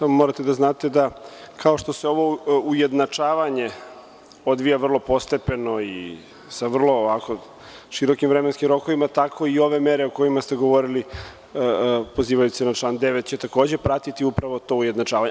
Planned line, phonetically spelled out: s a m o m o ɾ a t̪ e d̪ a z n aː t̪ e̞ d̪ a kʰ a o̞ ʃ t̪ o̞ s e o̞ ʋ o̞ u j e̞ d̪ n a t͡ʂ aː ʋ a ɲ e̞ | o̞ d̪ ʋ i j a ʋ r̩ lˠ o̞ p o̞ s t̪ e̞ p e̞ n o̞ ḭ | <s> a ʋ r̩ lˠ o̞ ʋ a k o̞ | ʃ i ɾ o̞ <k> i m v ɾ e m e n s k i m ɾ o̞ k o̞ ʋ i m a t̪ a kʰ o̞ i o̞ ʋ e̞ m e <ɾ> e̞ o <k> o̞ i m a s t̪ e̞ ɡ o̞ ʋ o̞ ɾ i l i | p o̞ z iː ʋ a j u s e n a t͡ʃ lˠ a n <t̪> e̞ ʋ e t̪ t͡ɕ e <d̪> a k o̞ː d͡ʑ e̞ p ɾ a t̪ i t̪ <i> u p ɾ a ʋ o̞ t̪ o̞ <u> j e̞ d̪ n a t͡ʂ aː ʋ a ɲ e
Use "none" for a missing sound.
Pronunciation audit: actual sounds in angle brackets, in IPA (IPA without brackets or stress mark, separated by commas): s, k, ɾ, k, d̪, t̪, i, u